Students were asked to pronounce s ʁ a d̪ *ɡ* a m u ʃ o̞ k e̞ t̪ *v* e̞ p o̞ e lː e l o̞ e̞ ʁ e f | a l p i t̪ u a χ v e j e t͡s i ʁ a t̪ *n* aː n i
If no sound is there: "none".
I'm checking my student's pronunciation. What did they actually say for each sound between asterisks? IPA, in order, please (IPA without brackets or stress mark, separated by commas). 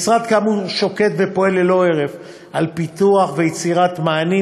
k, v, m